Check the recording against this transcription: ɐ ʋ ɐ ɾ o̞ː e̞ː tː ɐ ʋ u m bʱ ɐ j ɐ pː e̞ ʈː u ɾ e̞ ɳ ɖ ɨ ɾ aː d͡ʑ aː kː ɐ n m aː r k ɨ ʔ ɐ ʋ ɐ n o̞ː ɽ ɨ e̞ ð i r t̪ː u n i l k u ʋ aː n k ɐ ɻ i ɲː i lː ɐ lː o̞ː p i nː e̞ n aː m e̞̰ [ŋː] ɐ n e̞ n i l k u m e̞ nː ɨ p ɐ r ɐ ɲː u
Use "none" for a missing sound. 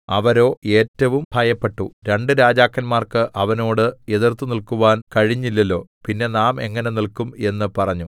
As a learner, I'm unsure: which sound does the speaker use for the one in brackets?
ŋː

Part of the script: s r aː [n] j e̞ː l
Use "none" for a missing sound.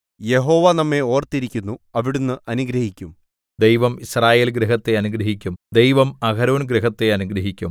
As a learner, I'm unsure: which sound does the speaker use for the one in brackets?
none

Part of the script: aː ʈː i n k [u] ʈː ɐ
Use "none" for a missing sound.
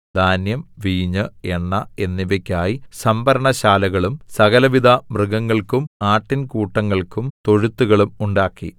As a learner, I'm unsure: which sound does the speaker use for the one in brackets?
uː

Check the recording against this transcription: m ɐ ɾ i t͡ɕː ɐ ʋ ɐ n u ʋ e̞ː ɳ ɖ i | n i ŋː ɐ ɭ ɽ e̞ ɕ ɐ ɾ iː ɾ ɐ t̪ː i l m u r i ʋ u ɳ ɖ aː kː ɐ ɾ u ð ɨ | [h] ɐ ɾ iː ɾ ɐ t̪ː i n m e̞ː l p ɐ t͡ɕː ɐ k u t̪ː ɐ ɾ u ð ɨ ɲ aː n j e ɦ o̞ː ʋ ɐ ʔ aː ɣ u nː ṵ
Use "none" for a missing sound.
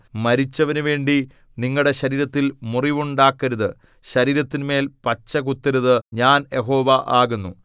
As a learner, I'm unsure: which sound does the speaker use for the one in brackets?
ɕ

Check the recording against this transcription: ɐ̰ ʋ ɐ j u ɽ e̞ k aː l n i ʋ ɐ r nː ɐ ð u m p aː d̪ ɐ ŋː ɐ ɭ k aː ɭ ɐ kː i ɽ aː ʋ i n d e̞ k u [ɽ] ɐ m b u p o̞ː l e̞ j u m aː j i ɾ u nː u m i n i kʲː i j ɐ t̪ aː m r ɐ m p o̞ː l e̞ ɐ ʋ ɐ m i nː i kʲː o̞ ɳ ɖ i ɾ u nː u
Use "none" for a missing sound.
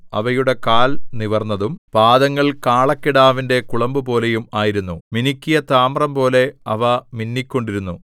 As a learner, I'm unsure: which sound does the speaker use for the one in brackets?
ɭ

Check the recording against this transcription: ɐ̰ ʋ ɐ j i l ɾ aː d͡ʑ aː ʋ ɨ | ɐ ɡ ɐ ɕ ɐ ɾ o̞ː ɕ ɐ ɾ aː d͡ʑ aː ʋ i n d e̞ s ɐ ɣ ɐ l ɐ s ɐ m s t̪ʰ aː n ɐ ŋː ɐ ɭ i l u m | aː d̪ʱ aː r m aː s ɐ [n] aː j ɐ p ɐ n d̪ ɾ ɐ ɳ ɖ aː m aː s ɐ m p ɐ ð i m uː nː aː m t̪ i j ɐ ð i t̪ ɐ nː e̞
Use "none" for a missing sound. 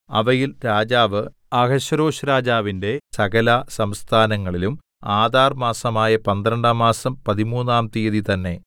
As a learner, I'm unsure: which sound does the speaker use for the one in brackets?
m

